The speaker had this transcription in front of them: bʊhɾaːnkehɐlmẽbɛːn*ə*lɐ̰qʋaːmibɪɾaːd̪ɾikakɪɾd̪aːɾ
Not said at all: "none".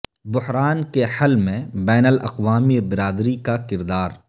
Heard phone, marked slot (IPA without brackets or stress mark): ə